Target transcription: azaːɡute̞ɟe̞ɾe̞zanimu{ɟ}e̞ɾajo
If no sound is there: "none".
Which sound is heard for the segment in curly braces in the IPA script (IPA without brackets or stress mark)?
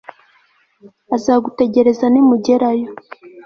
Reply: ɟ